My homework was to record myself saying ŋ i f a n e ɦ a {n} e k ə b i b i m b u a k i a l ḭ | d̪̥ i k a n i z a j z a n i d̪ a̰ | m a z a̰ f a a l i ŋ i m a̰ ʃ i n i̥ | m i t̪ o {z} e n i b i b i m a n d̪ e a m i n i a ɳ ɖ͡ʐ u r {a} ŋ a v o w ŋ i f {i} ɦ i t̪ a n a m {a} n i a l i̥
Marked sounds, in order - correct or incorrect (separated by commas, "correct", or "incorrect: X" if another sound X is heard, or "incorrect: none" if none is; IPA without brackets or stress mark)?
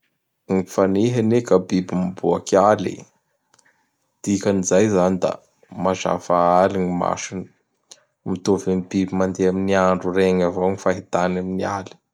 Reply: correct, incorrect: v, incorrect: e, incorrect: a, incorrect: i